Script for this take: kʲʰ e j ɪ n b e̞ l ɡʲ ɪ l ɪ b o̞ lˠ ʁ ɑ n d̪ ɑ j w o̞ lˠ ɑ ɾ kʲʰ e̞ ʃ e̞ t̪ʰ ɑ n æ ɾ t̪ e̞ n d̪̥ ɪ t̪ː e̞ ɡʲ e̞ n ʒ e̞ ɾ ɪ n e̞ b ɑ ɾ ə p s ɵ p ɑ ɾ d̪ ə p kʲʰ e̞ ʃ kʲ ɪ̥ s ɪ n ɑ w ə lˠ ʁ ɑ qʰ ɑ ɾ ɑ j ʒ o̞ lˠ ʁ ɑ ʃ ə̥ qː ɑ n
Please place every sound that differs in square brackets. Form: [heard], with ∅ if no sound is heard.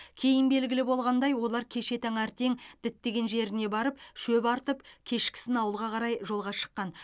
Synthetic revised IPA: kʲʰ e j ɪ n b e̞ l ɡʲ ɪ l ɪ b o̞ lˠ ʁ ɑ n d̪ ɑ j w o̞ lˠ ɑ ɾ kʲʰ e̞ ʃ e̞ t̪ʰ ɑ [ŋ] æ ɾ t̪ e̞ [ŋ] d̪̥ ɪ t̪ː e̞ ɡʲ e̞ n ʒ e̞ ɾ ɪ n e̞ b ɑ ɾ ə p [ʃ] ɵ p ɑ ɾ [t̪] ə p kʲʰ e̞ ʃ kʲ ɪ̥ s ɪ n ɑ w ə lˠ ʁ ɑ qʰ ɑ ɾ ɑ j ʒ o̞ lˠ ʁ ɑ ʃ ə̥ qː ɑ n